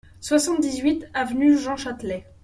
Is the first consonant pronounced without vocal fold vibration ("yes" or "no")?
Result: yes